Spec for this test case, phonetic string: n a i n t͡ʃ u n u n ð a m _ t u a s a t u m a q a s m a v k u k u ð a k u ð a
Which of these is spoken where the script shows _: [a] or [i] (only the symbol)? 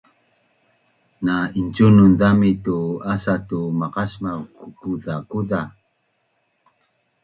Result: i